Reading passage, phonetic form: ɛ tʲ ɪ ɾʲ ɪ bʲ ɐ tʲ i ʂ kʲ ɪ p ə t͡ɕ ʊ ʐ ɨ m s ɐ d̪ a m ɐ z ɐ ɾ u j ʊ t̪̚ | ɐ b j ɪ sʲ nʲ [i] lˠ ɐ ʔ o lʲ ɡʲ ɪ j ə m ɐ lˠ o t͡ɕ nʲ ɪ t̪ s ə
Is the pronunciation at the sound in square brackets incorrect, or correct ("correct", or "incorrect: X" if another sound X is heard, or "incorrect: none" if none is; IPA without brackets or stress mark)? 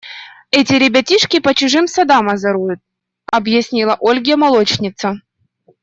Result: correct